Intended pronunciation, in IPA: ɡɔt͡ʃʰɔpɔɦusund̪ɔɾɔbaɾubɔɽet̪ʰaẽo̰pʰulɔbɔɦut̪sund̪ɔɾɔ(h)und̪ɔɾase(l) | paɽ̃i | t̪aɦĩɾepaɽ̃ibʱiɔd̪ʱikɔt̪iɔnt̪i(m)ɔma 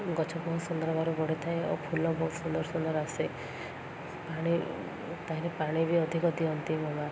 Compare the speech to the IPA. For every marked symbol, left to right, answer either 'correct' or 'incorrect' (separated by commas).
incorrect, incorrect, correct